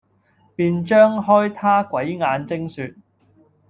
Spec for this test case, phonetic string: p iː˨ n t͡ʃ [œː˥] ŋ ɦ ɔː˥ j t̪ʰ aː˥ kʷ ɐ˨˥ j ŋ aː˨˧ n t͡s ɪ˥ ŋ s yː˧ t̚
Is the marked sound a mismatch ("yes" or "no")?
no